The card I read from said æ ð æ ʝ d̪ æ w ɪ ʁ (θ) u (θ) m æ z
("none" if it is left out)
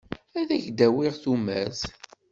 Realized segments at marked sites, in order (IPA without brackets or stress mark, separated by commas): θ, none